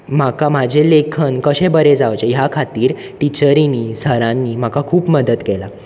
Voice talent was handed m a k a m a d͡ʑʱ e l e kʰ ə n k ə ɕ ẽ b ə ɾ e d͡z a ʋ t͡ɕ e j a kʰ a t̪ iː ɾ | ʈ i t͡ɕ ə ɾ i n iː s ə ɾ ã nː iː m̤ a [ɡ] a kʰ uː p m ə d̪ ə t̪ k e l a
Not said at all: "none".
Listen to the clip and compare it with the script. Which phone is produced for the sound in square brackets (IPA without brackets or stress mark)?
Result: k